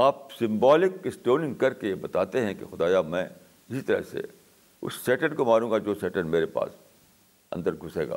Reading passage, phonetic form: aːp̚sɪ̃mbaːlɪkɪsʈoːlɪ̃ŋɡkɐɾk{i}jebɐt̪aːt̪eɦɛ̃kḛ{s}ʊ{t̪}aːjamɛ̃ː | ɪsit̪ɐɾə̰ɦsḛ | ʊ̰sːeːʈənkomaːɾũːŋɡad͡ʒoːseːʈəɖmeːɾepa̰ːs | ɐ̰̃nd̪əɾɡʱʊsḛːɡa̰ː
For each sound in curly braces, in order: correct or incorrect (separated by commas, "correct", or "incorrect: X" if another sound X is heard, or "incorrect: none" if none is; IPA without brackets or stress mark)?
incorrect: e, incorrect: x, incorrect: d̪